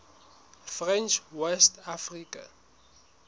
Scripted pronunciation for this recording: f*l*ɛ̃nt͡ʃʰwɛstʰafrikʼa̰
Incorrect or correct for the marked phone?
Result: incorrect: r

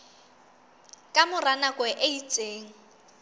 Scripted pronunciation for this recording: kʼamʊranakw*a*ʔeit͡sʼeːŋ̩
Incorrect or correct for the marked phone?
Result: incorrect: ɛ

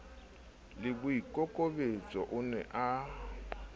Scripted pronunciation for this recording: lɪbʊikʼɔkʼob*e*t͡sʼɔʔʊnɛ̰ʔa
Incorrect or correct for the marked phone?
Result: correct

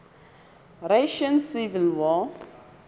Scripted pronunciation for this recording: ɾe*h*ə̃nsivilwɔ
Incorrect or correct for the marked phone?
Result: incorrect: ʃ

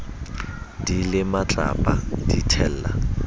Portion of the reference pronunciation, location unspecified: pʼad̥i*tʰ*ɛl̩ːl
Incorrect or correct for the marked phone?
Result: correct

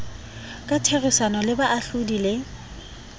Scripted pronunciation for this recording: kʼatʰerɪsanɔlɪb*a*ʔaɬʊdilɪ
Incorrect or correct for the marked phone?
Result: correct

